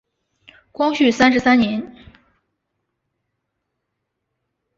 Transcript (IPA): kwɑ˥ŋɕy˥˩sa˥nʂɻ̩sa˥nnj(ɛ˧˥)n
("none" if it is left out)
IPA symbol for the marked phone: ɛ˧˥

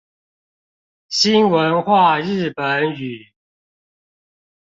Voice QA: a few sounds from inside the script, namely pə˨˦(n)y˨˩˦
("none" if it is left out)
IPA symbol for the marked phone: n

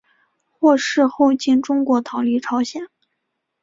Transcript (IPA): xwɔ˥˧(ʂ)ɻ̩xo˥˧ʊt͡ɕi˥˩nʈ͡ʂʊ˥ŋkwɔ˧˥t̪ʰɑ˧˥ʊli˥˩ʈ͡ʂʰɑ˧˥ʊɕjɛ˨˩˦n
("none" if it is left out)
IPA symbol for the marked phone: ʂ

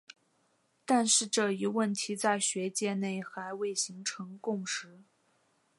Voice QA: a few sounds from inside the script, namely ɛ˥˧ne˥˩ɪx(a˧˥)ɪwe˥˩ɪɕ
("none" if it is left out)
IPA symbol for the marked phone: a˧˥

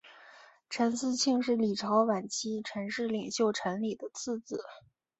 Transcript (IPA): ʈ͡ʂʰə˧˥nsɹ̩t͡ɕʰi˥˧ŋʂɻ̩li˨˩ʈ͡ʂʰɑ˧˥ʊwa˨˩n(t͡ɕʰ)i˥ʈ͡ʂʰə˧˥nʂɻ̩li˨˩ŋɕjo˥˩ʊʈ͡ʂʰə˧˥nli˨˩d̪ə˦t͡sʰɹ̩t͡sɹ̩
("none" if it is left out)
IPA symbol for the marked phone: t͡ɕʰ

